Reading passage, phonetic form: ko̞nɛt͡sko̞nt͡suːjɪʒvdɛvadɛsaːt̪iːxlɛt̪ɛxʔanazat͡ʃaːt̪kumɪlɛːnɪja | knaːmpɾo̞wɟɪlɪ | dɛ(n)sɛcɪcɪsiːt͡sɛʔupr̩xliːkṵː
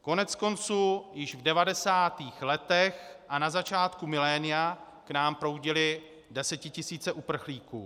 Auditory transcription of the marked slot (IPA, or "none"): none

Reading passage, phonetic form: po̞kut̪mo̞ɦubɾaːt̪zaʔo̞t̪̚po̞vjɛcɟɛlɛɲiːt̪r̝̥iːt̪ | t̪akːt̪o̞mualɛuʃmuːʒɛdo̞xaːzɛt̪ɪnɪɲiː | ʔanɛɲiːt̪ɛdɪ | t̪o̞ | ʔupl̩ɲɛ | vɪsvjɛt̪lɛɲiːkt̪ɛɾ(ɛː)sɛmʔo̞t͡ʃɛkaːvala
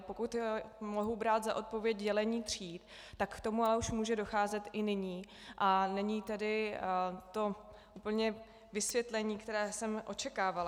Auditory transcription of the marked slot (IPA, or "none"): ɛː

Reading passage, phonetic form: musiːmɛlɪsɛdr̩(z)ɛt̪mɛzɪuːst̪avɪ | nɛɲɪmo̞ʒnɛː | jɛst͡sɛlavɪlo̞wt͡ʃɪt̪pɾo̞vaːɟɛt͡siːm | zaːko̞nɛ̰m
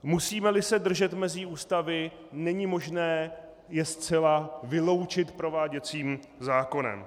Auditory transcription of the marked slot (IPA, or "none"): ʒ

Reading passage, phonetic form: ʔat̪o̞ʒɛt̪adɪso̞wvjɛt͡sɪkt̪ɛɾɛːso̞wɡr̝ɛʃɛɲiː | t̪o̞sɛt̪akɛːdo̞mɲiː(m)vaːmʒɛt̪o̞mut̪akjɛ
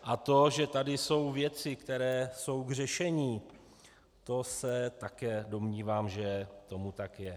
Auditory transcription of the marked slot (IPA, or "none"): none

